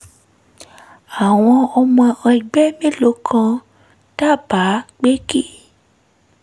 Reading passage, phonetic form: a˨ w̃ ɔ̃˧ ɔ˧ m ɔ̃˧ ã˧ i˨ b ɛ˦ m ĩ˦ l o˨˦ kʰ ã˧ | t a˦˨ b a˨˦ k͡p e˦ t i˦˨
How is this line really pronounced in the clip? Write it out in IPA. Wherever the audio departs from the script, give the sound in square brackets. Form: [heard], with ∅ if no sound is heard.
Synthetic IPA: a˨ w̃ ɔ̃˧ ɔ˧ m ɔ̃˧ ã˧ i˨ [ɡ͡b] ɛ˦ m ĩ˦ l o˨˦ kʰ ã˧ | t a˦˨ b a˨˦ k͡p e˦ [k] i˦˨